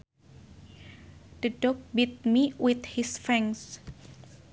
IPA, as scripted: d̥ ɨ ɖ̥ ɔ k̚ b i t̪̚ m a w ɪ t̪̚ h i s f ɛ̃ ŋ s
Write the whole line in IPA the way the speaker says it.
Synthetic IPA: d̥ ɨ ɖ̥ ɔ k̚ b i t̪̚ m i w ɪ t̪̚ h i s f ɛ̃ ŋ s